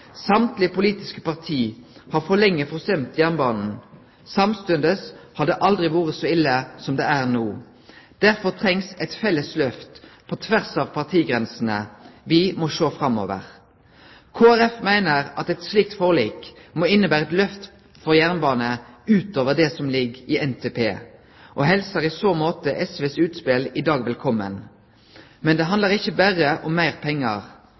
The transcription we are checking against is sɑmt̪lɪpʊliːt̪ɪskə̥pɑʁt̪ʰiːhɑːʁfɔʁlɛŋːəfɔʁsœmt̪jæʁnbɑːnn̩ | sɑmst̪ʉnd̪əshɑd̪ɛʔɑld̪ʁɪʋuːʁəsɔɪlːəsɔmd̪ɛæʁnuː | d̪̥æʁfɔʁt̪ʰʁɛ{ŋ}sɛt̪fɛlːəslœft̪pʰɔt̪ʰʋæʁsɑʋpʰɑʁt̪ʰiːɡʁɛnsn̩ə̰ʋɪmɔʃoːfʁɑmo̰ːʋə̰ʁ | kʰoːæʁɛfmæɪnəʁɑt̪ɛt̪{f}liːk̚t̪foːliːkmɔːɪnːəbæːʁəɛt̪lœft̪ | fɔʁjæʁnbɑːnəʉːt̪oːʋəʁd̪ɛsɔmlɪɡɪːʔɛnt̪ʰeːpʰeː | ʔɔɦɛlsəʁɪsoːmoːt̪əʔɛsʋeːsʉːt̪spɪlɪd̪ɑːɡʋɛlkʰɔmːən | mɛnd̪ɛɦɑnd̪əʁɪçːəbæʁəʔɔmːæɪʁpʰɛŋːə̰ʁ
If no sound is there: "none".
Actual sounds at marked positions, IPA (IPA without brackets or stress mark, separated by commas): ŋ, s